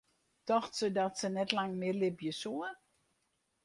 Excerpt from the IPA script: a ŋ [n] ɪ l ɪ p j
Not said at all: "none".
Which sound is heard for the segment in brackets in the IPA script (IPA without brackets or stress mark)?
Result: m